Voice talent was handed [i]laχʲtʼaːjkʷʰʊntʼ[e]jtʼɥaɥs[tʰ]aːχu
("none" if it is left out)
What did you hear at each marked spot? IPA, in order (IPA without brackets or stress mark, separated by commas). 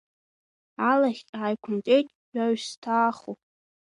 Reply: a, e, tʰ